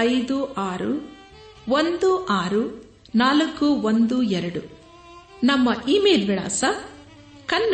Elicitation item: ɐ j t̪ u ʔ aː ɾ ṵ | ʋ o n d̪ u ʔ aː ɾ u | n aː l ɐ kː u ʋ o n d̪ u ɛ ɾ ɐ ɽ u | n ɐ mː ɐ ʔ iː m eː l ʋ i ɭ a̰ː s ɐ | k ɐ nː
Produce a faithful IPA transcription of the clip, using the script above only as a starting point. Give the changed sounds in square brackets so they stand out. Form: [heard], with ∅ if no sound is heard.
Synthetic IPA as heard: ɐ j [d̪] u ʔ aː ɾ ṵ | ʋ o n d̪ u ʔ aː ɾ u | n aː l ɐ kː u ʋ o n d̪ u ɛ ɾ ɐ ɽ u | n ɐ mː ɐ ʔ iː m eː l ʋ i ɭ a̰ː s ɐ | k ɐ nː